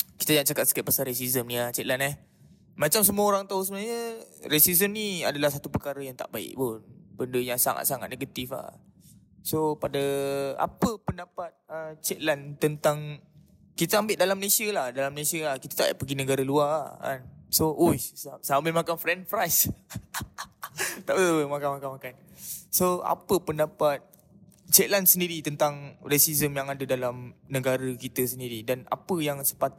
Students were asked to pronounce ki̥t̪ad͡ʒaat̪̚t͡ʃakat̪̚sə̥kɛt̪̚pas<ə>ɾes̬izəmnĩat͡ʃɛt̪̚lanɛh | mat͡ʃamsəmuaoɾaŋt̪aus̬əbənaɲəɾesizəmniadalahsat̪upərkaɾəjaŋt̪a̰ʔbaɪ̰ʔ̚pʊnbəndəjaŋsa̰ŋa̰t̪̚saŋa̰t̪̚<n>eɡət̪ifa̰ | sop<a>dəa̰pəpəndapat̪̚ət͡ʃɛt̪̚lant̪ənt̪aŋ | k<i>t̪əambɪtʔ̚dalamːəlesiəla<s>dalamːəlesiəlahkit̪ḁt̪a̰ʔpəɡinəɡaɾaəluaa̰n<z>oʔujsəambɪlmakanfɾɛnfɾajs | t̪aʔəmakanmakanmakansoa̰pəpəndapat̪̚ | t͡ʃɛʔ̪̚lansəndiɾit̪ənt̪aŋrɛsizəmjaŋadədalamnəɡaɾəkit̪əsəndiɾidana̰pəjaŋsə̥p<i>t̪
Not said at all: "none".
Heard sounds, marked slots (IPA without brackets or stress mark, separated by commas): a, n, a, i, h, s, a